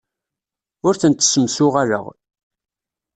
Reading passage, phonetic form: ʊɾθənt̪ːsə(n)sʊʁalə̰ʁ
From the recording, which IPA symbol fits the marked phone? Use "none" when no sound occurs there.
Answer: m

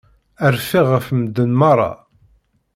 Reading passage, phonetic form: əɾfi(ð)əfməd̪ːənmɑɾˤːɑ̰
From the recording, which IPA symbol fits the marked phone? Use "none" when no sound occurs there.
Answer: ʁ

